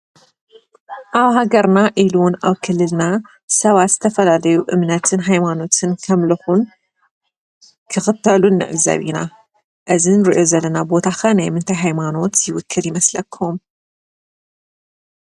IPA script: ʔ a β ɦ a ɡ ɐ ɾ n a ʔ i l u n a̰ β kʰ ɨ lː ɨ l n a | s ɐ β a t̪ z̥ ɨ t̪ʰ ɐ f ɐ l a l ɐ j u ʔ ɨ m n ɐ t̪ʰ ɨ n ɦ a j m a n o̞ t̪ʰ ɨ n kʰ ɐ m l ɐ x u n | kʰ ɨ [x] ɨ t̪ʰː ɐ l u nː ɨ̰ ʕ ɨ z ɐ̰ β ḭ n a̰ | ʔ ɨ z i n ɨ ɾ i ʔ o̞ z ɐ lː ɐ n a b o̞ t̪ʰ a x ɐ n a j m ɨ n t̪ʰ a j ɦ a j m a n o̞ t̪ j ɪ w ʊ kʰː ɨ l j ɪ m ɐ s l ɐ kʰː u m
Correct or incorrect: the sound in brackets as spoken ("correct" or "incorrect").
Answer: correct